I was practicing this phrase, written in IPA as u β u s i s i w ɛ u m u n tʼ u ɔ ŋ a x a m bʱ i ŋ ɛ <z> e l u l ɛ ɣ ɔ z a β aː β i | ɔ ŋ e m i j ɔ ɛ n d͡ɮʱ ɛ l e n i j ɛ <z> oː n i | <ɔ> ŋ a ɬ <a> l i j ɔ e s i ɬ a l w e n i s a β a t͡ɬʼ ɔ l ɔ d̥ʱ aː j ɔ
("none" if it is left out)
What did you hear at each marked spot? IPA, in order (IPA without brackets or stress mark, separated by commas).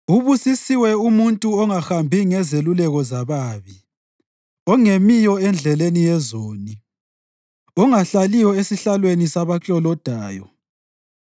z, z, ɔ, a